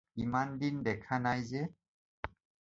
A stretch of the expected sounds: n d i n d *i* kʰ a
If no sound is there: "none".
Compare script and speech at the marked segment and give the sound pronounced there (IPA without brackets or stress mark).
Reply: ɛ